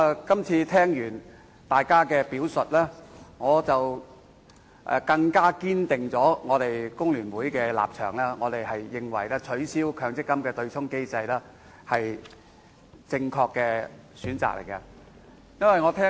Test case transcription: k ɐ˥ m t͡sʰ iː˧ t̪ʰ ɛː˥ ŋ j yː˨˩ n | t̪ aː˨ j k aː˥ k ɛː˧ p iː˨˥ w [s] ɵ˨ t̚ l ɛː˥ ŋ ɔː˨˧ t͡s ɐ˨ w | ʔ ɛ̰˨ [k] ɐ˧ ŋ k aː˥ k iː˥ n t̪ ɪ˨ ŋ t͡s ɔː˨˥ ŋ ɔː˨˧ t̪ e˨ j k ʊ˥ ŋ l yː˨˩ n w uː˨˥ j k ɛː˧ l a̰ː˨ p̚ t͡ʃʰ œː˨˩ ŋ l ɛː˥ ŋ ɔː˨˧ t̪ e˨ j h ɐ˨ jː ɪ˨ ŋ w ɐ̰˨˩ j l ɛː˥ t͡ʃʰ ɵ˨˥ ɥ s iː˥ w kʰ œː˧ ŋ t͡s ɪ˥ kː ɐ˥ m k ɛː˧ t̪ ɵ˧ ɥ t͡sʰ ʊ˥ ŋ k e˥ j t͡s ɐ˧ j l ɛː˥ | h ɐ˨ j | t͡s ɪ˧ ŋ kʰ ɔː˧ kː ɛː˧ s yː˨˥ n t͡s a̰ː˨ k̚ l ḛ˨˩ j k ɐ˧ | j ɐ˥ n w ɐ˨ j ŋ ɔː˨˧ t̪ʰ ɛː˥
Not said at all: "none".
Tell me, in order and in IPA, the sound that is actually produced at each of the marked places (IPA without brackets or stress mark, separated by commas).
s, k